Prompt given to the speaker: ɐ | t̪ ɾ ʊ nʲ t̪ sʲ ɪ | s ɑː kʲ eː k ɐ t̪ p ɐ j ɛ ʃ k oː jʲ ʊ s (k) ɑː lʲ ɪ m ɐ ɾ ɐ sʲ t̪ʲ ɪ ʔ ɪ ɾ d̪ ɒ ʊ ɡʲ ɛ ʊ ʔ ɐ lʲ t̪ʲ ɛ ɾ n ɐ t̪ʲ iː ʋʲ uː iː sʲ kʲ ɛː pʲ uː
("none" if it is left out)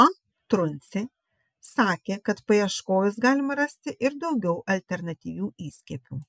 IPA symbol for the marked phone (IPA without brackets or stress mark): ɡ